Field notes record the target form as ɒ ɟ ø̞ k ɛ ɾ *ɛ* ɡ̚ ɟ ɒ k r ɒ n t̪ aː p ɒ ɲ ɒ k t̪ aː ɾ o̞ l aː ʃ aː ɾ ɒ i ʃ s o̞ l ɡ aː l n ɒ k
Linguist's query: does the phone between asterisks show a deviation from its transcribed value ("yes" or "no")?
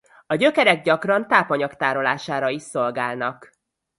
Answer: no